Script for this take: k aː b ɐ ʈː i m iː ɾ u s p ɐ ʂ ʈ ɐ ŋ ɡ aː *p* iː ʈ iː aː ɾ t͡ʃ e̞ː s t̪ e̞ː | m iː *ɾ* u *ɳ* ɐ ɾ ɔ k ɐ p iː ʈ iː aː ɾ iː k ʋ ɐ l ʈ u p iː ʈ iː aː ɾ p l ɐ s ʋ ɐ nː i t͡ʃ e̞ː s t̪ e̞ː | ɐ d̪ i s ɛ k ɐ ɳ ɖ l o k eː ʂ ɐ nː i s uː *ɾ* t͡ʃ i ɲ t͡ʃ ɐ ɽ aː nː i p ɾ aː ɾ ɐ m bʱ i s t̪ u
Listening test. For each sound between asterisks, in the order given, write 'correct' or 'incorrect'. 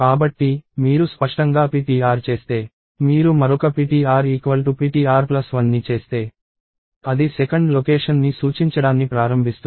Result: correct, correct, incorrect, incorrect

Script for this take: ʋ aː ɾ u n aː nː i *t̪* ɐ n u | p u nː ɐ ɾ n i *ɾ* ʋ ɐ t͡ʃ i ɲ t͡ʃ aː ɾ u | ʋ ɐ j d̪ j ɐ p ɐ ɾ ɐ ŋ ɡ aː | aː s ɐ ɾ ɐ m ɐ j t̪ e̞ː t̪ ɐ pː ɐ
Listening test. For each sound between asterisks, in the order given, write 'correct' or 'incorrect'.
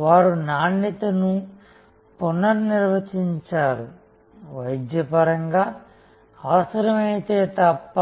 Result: correct, correct

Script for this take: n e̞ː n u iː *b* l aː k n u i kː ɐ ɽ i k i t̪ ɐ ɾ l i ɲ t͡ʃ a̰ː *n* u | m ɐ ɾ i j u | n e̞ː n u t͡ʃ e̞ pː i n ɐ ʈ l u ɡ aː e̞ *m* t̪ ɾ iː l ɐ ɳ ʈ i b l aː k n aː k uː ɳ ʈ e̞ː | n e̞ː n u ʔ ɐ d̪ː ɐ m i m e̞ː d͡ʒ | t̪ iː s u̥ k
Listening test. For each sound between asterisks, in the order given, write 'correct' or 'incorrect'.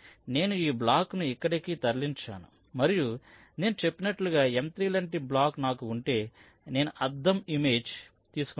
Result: correct, correct, correct

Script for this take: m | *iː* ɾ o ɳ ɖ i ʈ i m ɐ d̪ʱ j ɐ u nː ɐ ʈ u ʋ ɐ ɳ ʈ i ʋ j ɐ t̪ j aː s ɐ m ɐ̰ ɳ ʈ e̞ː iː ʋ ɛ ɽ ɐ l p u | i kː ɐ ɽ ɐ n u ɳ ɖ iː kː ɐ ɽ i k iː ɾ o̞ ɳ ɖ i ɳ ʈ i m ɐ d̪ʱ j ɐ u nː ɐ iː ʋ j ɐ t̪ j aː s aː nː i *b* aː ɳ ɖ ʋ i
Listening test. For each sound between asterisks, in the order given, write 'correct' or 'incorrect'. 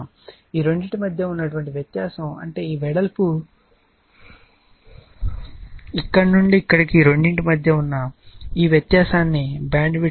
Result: correct, correct

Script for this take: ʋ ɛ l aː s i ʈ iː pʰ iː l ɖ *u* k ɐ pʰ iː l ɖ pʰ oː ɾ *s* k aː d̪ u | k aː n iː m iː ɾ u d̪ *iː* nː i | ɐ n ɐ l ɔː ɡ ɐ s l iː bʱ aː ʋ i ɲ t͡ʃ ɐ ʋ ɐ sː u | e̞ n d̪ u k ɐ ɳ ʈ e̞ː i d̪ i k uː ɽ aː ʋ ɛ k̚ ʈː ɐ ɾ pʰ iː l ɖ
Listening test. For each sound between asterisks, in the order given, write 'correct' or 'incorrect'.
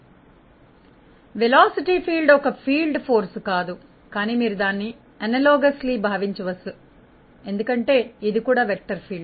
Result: incorrect, correct, incorrect

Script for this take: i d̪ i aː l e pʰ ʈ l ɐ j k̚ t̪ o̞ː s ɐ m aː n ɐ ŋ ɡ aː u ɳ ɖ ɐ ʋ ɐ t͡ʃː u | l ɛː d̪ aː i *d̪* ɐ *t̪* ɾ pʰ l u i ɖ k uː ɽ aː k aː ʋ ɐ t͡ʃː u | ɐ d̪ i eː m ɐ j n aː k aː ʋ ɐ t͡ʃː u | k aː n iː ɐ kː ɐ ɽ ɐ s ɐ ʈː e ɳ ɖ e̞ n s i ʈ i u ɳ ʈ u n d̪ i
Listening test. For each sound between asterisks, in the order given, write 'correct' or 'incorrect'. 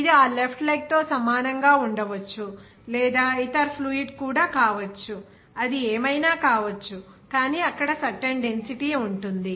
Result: incorrect, incorrect

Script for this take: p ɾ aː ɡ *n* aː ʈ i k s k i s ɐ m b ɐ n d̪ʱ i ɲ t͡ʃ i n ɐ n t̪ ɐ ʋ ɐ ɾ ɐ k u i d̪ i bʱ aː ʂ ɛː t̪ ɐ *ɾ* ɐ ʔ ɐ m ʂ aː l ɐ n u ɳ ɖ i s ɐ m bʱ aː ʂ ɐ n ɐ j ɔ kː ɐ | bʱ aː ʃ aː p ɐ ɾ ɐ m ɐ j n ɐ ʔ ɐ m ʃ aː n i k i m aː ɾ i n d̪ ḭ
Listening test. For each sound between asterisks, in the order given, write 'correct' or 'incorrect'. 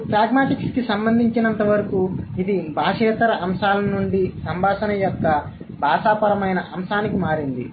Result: incorrect, correct

